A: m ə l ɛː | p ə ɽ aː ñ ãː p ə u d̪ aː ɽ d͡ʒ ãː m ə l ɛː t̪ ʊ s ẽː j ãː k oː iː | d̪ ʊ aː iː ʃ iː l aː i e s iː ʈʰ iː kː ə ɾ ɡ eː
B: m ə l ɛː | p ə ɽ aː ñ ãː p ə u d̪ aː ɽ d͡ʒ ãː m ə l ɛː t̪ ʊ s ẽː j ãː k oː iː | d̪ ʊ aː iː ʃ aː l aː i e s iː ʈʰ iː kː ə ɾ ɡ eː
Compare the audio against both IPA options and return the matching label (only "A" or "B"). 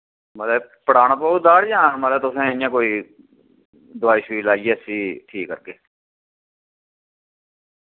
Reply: A